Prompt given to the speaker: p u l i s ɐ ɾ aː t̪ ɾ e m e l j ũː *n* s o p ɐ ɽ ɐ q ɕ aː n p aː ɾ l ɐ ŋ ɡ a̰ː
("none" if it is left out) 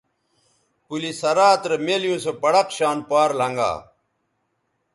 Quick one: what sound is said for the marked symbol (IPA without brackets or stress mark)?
none